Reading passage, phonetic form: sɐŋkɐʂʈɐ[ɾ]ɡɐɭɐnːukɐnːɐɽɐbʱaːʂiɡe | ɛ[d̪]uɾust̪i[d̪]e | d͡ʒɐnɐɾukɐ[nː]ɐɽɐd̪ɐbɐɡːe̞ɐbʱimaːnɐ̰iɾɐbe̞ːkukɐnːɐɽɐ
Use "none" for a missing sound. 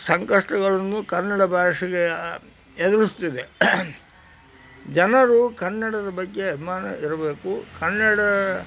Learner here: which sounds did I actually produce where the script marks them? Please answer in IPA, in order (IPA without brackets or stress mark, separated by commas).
none, d̪, d̪, nː